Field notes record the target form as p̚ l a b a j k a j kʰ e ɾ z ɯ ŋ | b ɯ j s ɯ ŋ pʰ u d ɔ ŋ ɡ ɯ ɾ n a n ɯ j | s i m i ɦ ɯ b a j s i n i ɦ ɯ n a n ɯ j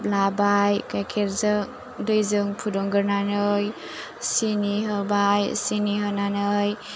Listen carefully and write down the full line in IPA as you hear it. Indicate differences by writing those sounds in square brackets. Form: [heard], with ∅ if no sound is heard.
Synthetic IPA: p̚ l a b a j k a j kʰ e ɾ z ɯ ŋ | [d] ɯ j [z] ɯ ŋ pʰ u d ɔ ŋ ɡ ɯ ɾ n a n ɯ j | s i [n] i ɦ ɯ b a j s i n i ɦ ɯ n a n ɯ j